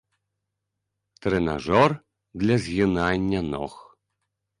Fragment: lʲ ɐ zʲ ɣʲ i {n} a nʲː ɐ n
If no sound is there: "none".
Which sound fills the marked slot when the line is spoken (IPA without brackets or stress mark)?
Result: n